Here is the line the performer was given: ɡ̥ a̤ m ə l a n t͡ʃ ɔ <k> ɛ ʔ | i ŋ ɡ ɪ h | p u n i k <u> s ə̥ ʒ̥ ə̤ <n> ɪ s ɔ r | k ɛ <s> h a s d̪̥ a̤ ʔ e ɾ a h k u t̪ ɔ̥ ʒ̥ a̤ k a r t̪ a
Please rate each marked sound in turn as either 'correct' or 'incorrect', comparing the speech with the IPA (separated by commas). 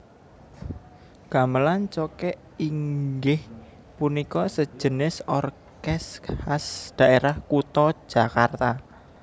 correct, incorrect, correct, correct